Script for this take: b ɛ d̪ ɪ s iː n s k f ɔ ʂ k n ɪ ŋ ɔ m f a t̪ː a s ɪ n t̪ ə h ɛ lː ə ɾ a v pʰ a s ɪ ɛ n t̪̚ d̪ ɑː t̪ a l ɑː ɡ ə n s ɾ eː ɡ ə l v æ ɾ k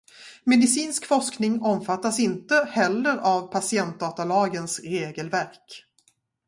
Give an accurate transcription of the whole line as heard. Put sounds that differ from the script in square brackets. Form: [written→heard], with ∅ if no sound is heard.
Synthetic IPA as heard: [b→m] ɛ d̪ ɪ s iː n s k f ɔ ʂ k n ɪ ŋ ɔ m f a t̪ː a s ɪ n t̪ ə h ɛ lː ə ɾ a v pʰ a s ɪ ɛ n t̪̚ d̪ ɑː t̪ a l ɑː ɡ ə n s ɾ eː ɡ ə l v æ ɾ k

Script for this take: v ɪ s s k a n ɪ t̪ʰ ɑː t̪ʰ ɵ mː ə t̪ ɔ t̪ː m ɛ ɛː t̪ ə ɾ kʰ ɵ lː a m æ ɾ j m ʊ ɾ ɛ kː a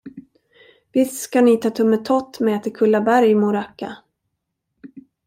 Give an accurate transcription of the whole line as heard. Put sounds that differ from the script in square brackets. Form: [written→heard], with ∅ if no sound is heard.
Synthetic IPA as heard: v ɪ s s k a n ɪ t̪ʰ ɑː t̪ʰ ɵ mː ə [t̪→t̪ʰ] ɔ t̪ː m ɛ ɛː t̪ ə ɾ kʰ ɵ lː a [m→b] æ ɾ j m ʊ ɾ [ɛ→a] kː a

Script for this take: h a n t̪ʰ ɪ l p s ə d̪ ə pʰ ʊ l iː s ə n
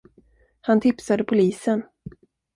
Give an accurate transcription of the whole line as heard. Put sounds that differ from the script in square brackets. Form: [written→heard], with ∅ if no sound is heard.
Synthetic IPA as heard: h a n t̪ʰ ɪ [l→∅] p s [ə→a] d̪ ə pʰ ʊ l iː s ə n

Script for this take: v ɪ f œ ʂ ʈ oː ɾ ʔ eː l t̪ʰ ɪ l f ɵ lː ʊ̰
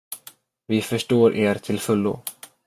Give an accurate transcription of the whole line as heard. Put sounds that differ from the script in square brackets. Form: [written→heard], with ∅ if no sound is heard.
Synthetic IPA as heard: v ɪ f œ ʂ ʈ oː ɾ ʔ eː [l→ɾ] t̪ʰ ɪ l f ɵ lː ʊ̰

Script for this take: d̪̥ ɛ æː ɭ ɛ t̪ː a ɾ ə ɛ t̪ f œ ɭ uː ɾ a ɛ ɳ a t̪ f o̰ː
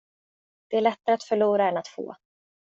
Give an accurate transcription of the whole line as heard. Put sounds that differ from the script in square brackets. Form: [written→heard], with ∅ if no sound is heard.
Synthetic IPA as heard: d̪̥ ɛ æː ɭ ɛ t̪ː a ɾ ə [ɛ→a] t̪ f œ ɭ uː ɾ a ɛ [ɳ→n] a t̪ f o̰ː

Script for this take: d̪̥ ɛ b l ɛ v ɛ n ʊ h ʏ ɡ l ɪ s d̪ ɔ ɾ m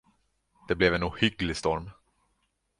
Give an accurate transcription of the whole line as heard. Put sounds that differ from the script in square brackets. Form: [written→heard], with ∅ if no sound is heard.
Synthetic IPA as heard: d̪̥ ɛ b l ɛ v ɛ n ʊ h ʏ ɡ l ɪ s [d̪→t̪] ɔ ɾ m

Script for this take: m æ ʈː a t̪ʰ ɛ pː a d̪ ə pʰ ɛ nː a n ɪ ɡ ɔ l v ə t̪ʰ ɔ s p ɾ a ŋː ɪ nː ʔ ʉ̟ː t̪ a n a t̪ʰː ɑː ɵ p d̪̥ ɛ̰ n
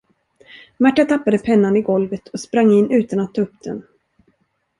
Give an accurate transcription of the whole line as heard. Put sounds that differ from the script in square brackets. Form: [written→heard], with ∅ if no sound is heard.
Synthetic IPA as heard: m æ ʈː a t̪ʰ [ɛ→a] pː a d̪ ə pʰ ɛ nː a n ɪ ɡ ɔ l v ə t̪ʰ ɔ s p ɾ a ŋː ɪ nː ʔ ʉ̟ː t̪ a n a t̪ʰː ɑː ɵ p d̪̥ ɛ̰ n

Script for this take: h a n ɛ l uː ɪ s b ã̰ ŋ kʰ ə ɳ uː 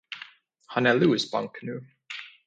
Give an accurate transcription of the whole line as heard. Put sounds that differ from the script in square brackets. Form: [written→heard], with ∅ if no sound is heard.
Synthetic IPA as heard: h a n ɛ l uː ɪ s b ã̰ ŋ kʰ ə [ɳ→n] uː

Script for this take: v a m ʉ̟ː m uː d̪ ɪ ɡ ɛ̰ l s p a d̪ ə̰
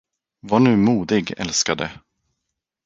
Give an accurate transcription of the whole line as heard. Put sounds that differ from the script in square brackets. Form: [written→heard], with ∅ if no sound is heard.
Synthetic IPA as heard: v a [m→ɳ] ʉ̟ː m uː d̪ ɪ ɡ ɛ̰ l s [p→k] a d̪ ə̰

